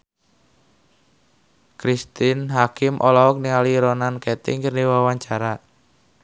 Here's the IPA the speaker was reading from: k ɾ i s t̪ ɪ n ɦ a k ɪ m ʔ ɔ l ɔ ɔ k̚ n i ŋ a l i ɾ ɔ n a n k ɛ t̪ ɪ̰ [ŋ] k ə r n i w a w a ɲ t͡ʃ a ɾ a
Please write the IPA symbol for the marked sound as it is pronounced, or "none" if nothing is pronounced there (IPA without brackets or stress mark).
ŋ